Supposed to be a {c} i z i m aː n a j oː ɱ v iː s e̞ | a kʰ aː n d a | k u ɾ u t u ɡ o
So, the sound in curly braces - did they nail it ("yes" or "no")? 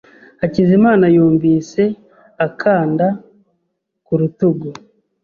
yes